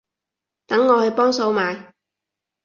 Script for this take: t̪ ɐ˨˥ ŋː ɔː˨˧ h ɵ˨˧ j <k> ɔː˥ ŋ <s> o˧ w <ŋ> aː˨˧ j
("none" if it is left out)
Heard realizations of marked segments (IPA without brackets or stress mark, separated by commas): p, s, m